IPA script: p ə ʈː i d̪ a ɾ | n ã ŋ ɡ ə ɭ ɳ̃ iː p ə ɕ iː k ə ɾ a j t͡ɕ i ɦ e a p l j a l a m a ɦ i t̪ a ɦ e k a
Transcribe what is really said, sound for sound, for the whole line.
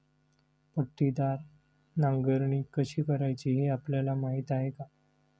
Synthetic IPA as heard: p ə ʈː i d̪ a ɾ | n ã ŋ ɡ ə ɾ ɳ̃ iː k ə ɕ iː k ə ɾ a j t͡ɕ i ɦ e a p l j a l a m a ɦ i t̪ a ɦ e k a

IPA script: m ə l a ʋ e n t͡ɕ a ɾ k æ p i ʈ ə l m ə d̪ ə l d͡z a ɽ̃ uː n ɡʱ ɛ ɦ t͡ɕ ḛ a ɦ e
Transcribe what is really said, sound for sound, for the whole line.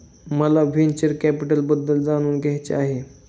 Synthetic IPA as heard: m ə l a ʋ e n t͡ɕ ə ɾ k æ p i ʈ ə l b ə d̪ː ə l d͡z a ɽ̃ uː n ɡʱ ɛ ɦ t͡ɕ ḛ a ɦ e

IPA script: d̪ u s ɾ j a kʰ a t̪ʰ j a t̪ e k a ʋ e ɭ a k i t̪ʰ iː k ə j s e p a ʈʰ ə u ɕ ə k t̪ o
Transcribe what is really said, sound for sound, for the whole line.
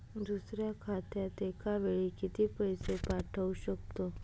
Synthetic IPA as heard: d̪ u s ɾ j a kʰ a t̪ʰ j a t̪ e k a ʋ e ɭ i k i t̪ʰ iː p ə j s e p a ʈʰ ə u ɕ ə k t̪ o

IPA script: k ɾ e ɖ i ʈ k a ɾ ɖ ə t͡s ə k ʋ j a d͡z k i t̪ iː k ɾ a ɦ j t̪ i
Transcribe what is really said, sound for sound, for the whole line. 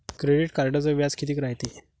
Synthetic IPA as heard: k ɾ e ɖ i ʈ k a ɾ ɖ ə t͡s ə ʋ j a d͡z k i t̪ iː k ɾ a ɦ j t̪ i

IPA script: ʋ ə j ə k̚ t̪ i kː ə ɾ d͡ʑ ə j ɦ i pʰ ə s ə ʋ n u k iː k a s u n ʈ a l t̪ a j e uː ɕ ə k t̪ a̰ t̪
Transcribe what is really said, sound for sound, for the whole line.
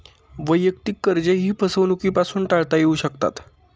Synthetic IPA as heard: ʋ ə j ə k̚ t̪ i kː ə ɾ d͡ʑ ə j ɦ iː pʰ ə s ə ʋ n u k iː p a s uː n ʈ a ɭ t̪ a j e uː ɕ ə k t̪ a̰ t̪

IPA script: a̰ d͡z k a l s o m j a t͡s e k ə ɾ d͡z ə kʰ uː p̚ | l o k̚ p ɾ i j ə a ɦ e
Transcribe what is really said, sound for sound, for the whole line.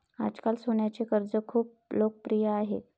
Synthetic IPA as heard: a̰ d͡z k a l s o ɳ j a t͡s e k ə ɾ d͡z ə kʰ uː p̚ | l o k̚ p ɾ i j ə a ɦ e

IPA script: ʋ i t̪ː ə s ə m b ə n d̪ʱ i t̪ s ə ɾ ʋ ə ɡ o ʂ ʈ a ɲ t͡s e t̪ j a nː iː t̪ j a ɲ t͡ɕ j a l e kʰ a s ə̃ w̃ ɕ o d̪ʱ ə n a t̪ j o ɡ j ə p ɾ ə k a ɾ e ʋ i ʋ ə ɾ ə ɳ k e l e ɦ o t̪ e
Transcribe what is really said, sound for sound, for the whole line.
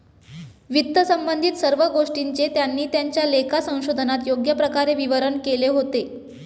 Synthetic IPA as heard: ʋ i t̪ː ə s ə m b ə n d̪ʱ i t̪ s ə ɾ ʋ ə ɡ o ʂ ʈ i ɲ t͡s e t̪ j a nː iː t̪ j a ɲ t͡ɕ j a l e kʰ a s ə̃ w̃ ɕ o d̪ʱ ə n a t̪ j o ɡ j ə p ɾ ə k a ɾ e ʋ i ʋ ə ɾ ə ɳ k e l e ɦ o t̪ e

